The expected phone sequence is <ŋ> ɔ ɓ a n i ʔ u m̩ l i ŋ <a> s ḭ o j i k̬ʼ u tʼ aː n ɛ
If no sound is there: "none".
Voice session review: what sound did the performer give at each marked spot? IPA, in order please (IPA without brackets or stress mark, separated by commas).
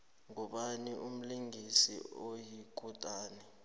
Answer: ŋ, i